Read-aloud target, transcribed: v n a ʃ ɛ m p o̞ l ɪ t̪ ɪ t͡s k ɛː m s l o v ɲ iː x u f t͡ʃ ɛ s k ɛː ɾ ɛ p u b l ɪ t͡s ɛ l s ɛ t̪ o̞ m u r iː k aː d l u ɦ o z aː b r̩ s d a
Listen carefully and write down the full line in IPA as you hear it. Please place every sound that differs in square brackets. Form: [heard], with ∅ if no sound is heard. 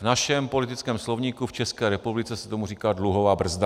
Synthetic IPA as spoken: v n a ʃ ɛ m p o̞ l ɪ t̪ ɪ t͡s k ɛː m s l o v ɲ iː [k] u f t͡ʃ ɛ s k ɛː ɾ ɛ p u b l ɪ t͡s ɛ [∅] s ɛ t̪ o̞ m u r iː k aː d l u ɦ o [v] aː b r̩ [z] d a